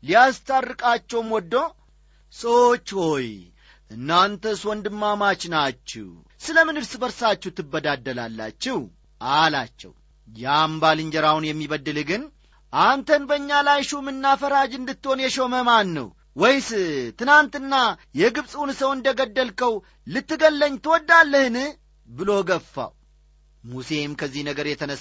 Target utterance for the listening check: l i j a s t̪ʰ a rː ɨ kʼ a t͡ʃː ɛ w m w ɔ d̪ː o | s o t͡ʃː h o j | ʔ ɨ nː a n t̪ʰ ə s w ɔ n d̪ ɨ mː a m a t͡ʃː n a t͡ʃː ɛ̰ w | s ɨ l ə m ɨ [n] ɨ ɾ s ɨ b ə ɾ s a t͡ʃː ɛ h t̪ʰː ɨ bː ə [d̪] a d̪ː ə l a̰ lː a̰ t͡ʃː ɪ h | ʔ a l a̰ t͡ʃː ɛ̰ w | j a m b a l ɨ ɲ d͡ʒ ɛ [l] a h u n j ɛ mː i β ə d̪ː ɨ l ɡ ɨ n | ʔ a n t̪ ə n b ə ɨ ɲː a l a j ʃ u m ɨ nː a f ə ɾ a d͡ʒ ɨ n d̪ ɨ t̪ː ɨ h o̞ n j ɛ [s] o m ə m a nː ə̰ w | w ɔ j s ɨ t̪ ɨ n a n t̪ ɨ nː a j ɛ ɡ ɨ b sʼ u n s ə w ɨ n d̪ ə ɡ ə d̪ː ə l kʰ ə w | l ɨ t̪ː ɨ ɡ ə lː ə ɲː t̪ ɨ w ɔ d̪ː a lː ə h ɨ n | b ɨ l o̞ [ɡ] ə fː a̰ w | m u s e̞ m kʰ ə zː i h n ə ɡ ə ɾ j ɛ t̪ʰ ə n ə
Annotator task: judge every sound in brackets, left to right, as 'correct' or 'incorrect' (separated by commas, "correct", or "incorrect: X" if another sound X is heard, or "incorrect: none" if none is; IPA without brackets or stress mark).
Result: correct, correct, incorrect: ɾ, incorrect: ʃ, correct